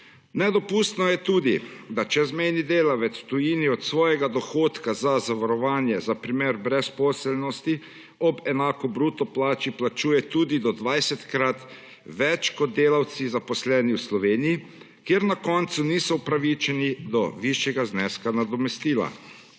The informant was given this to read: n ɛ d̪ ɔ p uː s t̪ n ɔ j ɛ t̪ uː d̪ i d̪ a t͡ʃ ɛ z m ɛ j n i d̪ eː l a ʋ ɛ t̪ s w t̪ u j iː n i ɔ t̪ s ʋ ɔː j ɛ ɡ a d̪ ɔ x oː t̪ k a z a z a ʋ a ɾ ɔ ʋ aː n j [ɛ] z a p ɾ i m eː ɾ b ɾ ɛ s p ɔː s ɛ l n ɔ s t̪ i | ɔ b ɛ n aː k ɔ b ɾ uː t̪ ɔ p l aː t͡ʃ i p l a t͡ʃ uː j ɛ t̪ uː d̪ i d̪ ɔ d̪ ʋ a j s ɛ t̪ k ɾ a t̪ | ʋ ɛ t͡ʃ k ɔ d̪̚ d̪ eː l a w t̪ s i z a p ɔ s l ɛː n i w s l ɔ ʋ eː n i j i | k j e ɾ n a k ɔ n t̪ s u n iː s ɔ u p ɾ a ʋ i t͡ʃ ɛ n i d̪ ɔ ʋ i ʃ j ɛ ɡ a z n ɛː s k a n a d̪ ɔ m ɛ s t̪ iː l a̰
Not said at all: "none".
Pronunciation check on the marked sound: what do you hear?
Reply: ɛ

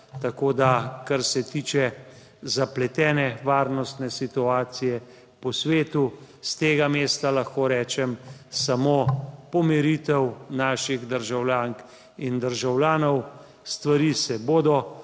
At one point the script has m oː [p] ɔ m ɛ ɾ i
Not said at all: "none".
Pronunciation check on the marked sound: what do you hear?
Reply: p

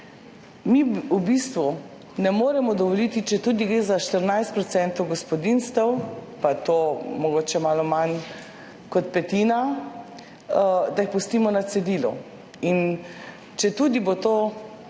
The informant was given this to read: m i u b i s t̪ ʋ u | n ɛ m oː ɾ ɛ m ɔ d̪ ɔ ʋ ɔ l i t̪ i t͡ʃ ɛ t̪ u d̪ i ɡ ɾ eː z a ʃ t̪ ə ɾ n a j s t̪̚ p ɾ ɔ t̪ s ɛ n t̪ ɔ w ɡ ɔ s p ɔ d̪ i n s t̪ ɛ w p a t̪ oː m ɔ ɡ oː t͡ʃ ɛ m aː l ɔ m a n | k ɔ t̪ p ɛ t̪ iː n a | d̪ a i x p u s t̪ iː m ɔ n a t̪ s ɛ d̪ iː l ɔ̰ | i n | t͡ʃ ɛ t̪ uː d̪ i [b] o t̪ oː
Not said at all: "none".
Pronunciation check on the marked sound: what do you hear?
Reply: b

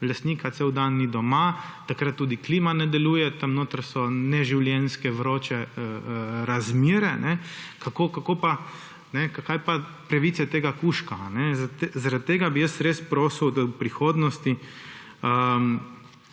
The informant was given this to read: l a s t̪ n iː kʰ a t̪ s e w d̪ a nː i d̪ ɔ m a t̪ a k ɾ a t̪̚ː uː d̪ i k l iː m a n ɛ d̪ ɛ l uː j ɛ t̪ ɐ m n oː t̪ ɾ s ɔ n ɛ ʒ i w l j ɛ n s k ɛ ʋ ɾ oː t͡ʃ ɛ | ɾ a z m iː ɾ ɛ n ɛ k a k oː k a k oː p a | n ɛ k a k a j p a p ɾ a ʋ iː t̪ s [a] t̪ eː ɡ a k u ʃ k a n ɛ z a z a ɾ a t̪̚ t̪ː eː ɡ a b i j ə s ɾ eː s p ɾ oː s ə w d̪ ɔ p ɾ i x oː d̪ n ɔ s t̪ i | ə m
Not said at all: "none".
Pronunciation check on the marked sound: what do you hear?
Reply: ɛ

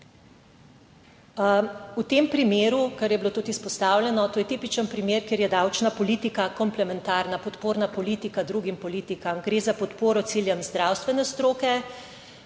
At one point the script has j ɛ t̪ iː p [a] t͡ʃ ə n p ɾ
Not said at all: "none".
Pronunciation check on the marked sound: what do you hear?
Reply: i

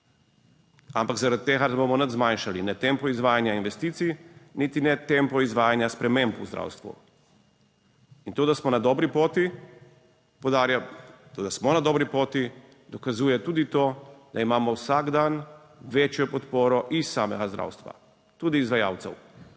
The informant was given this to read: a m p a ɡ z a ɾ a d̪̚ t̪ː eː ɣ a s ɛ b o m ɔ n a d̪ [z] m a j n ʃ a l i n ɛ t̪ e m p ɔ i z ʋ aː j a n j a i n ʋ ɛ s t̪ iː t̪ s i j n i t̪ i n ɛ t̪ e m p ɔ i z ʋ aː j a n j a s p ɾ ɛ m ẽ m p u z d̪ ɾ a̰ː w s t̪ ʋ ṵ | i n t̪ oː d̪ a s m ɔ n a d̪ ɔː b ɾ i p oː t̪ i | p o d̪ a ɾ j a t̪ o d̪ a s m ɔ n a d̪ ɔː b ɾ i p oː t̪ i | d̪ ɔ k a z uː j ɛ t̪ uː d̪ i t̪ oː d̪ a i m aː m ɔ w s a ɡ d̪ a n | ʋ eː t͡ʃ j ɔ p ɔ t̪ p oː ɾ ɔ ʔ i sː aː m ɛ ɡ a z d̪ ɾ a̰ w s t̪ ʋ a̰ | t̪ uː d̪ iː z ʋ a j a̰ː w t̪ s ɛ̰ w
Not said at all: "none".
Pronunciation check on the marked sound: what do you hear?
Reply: z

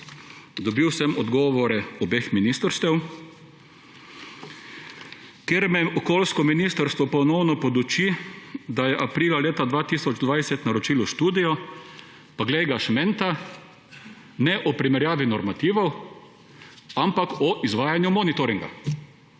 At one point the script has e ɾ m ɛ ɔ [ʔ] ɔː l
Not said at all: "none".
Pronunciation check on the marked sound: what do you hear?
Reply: k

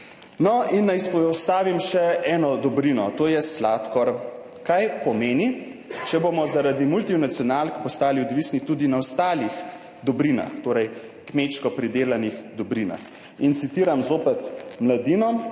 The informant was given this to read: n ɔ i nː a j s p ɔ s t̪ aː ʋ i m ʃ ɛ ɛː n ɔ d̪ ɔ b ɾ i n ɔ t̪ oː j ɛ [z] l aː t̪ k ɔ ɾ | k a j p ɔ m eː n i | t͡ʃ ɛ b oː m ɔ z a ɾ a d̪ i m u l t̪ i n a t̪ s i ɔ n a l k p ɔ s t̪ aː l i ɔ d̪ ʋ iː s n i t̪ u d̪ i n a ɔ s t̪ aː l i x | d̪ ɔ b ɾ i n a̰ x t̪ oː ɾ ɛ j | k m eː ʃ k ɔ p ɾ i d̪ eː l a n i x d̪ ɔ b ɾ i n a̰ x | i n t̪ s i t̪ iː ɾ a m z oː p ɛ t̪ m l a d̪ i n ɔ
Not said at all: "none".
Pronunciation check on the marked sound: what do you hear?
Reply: s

